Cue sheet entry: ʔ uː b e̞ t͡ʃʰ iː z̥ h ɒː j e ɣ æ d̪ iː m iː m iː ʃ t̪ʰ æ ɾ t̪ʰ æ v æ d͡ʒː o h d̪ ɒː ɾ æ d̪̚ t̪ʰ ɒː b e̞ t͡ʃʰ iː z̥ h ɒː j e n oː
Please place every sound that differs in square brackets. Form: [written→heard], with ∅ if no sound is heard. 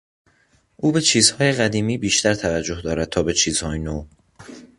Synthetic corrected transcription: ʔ uː b e̞ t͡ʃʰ iː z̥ h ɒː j e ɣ æ d̪ iː m iː [m→b] iː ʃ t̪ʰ æ ɾ t̪ʰ æ v æ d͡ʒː o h d̪ ɒː ɾ æ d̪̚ t̪ʰ ɒː b e̞ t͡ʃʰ iː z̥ h ɒː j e n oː